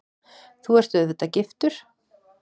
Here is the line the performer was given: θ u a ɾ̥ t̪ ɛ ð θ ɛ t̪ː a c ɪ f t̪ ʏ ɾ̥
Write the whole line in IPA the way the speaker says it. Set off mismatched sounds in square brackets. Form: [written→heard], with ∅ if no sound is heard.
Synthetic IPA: θ u [a→ɛ] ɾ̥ t̪ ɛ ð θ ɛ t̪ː a c ɪ f t̪ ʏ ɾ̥